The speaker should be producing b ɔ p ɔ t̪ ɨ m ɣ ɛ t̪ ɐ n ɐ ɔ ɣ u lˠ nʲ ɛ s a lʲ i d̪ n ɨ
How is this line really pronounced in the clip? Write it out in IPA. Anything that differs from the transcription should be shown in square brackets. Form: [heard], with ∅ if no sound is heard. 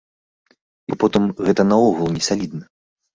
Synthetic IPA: b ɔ p ɔ t̪ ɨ m ɣ ɛ t̪ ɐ n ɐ ɔ ɣ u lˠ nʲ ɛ s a lʲ i d̪ n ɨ

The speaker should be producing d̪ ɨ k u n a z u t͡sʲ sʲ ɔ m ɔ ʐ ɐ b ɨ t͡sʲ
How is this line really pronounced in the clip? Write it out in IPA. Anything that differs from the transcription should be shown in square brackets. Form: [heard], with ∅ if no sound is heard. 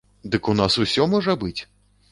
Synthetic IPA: d̪ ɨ k u n a [s] u [∅] sʲ ɔ m ɔ ʐ ɐ b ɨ t͡sʲ

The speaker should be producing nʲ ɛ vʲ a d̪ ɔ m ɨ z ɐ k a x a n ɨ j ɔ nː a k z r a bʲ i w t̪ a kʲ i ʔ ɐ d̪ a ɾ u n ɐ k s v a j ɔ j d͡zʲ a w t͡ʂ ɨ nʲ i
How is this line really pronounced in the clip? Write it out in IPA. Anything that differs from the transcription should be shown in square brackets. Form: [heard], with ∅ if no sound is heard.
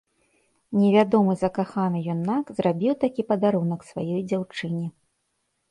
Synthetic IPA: nʲ ɛ vʲ a d̪ ɔ m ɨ z ɐ k a x a n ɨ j ɔ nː a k z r a bʲ i w t̪ a kʲ i [p] ɐ d̪ a ɾ u n ɐ k s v a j ɔ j d͡zʲ a w t͡ʂ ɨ nʲ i

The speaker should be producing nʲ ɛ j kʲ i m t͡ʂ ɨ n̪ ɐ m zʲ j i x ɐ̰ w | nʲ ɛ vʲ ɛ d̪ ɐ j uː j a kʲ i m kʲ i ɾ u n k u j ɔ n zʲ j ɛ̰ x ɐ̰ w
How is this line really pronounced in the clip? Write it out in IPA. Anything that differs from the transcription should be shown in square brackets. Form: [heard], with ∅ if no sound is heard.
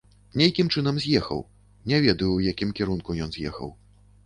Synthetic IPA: nʲ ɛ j kʲ i m t͡ʂ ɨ n̪ ɐ m zʲ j [ɛ] x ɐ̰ w | nʲ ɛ vʲ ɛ d̪ ɐ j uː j a kʲ i m kʲ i ɾ u n k u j ɔ n zʲ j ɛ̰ x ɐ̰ w

